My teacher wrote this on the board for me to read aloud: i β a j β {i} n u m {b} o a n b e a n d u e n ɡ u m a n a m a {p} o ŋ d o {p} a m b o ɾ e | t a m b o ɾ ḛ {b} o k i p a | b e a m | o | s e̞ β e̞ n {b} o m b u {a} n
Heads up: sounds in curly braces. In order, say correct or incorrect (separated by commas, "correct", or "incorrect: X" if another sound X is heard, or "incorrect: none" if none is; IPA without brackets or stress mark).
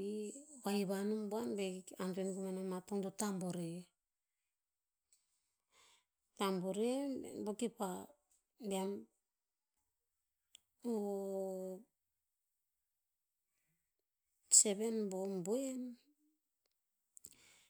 incorrect: a, correct, incorrect: t, incorrect: t, correct, correct, incorrect: e